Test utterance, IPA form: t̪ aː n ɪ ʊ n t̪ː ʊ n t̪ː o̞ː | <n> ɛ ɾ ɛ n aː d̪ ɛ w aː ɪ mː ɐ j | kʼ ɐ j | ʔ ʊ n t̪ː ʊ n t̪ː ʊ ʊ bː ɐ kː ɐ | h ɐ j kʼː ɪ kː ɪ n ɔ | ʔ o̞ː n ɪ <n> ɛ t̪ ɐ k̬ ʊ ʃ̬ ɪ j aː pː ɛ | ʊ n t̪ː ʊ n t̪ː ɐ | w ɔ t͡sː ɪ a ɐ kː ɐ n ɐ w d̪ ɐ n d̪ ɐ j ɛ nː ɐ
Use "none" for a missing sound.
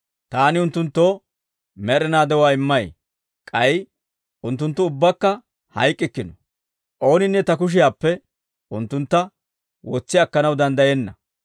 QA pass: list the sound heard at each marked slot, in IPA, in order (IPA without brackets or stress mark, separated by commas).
m, nː